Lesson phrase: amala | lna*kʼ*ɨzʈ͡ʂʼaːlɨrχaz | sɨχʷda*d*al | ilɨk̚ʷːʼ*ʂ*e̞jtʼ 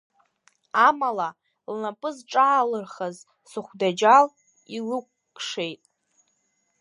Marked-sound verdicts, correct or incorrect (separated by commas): incorrect, incorrect, correct